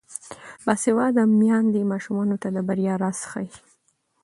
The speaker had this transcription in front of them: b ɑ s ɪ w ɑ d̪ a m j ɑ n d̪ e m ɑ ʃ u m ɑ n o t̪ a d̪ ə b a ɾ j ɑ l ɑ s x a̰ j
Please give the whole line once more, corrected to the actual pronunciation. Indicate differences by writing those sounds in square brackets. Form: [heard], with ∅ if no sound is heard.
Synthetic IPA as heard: b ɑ s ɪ w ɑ d̪ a m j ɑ n d̪ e m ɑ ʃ u m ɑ n o t̪ a d̪ ə b a ɾ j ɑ [ɾ] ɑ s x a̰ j